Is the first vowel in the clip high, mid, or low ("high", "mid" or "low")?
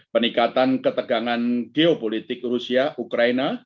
mid